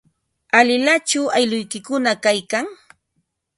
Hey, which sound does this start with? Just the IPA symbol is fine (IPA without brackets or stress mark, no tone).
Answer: a